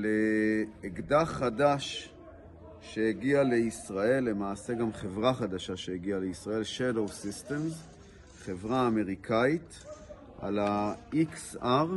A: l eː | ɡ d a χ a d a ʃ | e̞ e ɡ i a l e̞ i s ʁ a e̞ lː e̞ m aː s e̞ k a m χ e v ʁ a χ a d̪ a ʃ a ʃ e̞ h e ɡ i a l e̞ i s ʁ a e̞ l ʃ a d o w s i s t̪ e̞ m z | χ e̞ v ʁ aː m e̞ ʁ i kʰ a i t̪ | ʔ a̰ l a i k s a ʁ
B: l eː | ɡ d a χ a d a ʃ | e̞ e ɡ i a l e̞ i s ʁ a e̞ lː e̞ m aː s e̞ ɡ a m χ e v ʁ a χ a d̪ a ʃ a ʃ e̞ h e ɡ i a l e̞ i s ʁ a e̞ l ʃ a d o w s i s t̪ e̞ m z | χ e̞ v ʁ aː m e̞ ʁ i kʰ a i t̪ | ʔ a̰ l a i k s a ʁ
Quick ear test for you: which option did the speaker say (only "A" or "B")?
B